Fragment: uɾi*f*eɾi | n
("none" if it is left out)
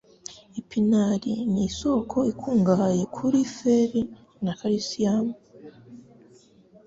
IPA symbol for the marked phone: f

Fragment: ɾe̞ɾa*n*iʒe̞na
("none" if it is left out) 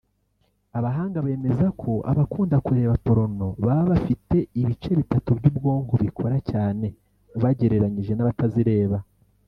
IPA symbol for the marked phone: ɲ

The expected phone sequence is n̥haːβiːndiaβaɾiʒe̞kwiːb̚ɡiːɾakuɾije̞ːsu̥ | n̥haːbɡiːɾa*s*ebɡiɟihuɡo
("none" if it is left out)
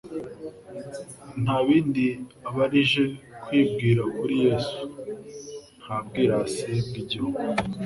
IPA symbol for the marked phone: s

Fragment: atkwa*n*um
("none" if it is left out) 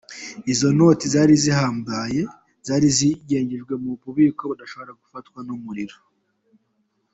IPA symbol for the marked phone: n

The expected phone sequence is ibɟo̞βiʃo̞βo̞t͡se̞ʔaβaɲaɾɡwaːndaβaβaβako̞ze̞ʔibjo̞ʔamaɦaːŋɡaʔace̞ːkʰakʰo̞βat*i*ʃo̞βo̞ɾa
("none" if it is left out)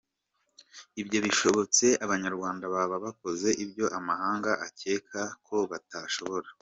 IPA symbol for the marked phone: a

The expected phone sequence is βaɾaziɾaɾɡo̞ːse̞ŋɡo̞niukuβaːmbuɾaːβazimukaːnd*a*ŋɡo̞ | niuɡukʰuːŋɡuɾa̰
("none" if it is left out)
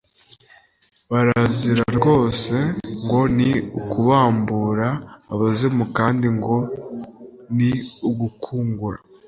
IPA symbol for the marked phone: i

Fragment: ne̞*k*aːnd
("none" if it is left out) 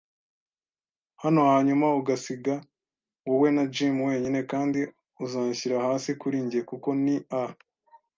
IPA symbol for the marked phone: k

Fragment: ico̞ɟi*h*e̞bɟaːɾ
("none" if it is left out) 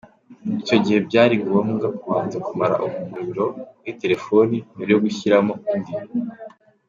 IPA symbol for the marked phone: h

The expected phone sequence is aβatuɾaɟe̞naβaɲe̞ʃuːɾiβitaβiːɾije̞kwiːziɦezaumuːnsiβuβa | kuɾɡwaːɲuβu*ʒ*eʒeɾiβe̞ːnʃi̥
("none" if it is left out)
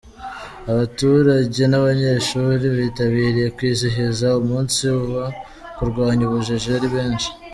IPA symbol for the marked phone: ʒ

